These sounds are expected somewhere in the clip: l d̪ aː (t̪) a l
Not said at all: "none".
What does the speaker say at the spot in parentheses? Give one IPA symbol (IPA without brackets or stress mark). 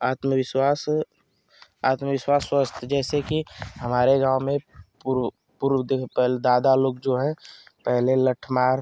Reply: d̪